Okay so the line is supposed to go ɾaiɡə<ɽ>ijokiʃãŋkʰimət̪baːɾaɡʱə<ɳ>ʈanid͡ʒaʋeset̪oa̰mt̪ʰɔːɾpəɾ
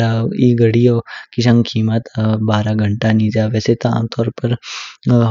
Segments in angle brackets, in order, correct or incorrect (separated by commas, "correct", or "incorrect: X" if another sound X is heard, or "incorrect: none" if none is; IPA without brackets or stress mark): correct, correct